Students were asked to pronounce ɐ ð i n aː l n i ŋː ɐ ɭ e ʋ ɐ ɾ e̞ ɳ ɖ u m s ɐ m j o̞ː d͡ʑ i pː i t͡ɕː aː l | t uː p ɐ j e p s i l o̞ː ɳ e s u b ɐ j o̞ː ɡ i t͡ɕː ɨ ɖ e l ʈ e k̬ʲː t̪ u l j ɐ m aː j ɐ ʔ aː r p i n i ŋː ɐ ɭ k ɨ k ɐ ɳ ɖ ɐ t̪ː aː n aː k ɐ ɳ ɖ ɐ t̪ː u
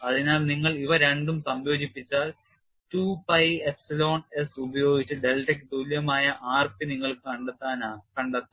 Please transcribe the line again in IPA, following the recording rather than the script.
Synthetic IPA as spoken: ɐ ð i n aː l n i ŋː ɐ ɭ i ʋ ɐ ɾ e̞ ɳ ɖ u m s ɐ m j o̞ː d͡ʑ i pː i t͡ɕː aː l | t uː p ɐ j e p s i l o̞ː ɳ e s u b ɐ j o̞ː ɡ i t͡ɕː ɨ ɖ e l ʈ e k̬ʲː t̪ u l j ɐ m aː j ɐ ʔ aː r p i n i ŋː ɐ ɭ k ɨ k ɐ ɳ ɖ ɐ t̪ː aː n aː k ɐ ɳ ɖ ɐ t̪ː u

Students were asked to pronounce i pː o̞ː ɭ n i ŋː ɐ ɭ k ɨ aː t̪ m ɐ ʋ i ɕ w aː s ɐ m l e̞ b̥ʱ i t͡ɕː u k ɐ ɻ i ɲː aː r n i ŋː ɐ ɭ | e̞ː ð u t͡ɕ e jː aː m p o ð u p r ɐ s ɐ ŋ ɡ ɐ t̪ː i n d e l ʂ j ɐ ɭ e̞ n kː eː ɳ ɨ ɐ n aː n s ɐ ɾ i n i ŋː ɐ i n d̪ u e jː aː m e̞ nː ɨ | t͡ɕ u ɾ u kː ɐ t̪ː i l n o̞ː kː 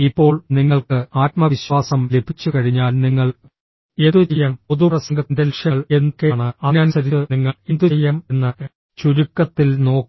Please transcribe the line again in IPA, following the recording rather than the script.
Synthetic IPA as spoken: i pː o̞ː ɭ n i ŋː ɐ ɭ k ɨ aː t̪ m ɐ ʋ i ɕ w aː s ɐ m l e̞ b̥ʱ i t͡ɕː u k ɐ ɻ i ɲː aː l n i ŋː ɐ ɭ | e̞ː ð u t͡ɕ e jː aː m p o ð u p r ɐ s ɐ ŋ ɡ ɐ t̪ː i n d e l ʂ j ɐ ɭ e̞ n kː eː ɳ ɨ ɐ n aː n s ɐ ɾ i n i ŋː ɐ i n d̪ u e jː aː m e̞ nː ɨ | t͡ɕ u ɾ u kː ɐ t̪ː i l n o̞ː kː

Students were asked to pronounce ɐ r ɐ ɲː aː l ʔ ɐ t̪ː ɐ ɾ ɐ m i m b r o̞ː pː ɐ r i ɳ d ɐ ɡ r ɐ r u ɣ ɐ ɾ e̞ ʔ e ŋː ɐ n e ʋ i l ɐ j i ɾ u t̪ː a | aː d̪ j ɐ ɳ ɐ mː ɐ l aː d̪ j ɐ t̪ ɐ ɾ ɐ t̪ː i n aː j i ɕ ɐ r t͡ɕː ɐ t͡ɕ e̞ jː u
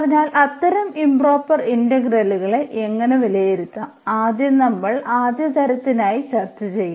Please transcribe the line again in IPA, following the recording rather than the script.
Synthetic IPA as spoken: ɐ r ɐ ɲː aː l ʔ ɐ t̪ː ɐ ɾ ɐ m i m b r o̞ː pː ɐ r i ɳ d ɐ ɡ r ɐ l u ɣ ɐ ɭ e̞ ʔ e ŋː ɐ n e ʋ i l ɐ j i ɾ u t̪ː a | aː d̪ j ɐ n ɐ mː ɐ ɭ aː d̪ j ɐ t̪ ɐ ɾ ɐ t̪ː i n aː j i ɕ ɐ r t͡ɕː ɐ t͡ɕ e̞ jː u

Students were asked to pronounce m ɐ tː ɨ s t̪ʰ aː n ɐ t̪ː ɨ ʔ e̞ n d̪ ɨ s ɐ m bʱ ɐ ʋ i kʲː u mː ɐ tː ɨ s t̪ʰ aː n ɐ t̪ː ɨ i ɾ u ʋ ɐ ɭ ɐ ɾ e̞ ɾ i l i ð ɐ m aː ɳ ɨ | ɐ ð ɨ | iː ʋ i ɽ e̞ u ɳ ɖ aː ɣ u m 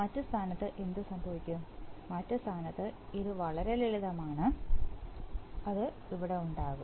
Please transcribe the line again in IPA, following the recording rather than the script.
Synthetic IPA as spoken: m ɐ tː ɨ s t̪ʰ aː n ɐ t̪ː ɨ ʔ e̞ n d̪ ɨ s ɐ m bʱ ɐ ʋ i kʲː u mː ɐ tː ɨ s t̪ʰ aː n ɐ t̪ː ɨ i ɾ u ʋ ɐ ɭ ɐ ɾ e̞ l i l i ð ɐ m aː ɳ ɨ | ɐ ð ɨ | i ʋ i ɽ e̞ u ɳ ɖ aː ɣ u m

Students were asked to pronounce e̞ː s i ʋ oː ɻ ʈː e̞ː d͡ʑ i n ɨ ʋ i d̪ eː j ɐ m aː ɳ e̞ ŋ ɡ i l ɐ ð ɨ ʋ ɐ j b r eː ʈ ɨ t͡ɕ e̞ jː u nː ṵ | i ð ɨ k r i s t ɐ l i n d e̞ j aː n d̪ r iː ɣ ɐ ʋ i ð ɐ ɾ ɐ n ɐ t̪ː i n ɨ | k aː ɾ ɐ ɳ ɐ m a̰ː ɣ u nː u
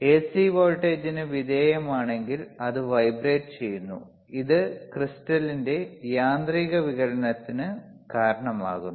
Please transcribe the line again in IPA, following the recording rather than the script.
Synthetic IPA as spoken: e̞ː s i ʋ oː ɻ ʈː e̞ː d͡ʑ i n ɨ ʋ i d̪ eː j ɐ m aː ɳ e̞ ŋ ɡ i l ɐ ð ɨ ʋ ɐ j b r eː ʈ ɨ t͡ɕ e̞ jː u nː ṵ | i ð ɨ k r i s t ɐ l i n d e̞ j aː n d̪ r iː ɣ ɐ ʋ i ɣ ɐ ɾ ɐ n ɐ t̪ː i n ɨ | k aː ɾ ɐ ɳ ɐ m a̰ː ɣ u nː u

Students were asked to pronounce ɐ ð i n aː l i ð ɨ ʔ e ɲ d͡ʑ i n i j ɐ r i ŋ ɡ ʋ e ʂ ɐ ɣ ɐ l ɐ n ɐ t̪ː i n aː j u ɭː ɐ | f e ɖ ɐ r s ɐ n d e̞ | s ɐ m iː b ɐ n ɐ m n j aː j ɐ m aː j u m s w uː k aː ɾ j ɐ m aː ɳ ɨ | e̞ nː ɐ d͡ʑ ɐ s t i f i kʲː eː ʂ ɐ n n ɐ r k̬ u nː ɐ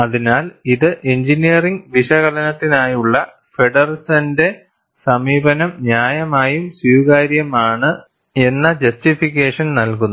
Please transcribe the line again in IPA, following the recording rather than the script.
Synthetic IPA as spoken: ɐ ð i n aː l i ð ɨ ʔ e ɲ d͡ʑ i n i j ɐ r i ŋ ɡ ʋ i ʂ ɐ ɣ ɐ l ɐ n ɐ t̪ː i n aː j u ɭː ɐ | f e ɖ ɐ r s ɐ n d e̞ | s ɐ m iː b ɐ n ɐ m n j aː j ɐ m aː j u m s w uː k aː ɾ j ɐ m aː ɳ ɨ | e̞ nː ɐ d͡ʑ ɐ s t i f i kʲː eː ʂ ɐ n n ɐ l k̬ u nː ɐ

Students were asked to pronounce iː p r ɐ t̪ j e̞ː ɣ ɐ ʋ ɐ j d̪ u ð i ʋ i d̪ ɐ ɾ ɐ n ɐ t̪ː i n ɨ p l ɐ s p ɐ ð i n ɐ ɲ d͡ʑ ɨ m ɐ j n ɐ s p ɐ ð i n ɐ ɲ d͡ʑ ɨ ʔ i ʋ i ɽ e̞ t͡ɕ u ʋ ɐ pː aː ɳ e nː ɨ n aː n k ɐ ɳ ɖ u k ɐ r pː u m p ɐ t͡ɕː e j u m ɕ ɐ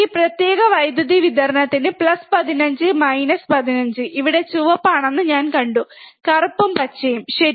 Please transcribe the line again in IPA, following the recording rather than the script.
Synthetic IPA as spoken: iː p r ɐ t̪ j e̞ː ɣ ɐ ʋ ɐ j d̪ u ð i ʋ i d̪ ɐ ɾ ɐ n ɐ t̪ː i n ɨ p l ɐ s p ɐ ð i n ɐ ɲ d͡ʑ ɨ m ɐ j n ɐ s p ɐ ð i n ɐ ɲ d͡ʑ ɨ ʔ i ʋ i ɽ e̞ t͡ɕ u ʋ ɐ pː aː ɳ e nː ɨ ɲ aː n k ɐ ɳ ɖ u k ɐ r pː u m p ɐ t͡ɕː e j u m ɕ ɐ

